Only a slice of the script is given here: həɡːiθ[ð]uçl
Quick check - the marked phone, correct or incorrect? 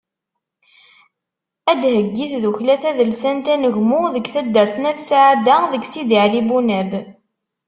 correct